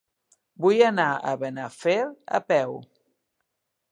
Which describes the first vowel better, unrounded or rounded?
rounded